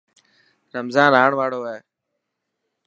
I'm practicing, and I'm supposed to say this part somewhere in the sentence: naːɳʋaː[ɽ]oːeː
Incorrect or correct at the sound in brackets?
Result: correct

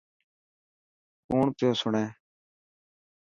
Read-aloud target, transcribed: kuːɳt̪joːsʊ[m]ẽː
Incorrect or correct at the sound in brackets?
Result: incorrect: ɳ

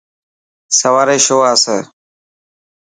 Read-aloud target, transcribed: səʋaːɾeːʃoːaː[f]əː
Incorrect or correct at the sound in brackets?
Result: incorrect: s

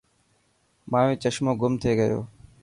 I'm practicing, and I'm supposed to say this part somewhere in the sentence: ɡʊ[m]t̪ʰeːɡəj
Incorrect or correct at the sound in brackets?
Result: correct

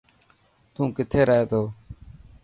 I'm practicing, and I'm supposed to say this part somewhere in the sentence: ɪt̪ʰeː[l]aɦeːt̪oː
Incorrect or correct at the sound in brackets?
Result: incorrect: ɾ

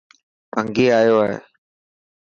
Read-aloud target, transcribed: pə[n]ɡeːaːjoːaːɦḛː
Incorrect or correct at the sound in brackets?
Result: incorrect: ŋ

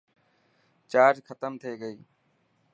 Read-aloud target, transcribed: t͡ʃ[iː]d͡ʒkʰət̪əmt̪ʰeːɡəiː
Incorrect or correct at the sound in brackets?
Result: incorrect: aː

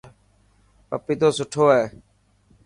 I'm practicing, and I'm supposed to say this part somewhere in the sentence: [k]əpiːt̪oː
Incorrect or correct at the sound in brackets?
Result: incorrect: p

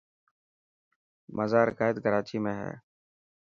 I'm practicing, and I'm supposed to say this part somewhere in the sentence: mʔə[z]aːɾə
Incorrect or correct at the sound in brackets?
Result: correct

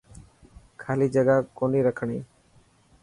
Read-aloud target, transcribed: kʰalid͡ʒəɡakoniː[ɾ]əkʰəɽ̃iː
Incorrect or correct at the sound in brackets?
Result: correct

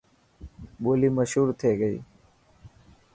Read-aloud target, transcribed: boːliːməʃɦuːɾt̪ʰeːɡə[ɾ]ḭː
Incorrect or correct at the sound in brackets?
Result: incorrect: none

